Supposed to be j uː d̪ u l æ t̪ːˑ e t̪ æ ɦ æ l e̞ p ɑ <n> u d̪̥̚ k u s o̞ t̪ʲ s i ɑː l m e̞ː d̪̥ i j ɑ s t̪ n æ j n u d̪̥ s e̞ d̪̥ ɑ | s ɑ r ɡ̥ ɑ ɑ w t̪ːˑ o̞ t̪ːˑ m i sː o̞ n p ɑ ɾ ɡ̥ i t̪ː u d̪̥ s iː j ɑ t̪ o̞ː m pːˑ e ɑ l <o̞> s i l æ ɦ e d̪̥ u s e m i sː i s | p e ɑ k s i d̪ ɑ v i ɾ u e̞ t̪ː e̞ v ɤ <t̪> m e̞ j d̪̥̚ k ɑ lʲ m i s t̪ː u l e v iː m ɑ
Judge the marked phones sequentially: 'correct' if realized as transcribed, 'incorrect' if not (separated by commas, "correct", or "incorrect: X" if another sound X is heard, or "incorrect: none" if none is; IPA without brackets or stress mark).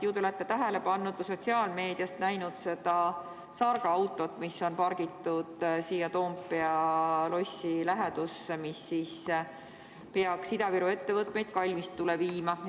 incorrect: nː, correct, correct